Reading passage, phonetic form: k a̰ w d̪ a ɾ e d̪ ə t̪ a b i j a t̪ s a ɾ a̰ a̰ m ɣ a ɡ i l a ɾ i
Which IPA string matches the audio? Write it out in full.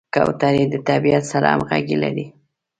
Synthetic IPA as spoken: k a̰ w t̪ a ɾ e d̪ ə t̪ a b i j a t̪ s a ɾ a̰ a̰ m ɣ a ɡ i l a ɾ i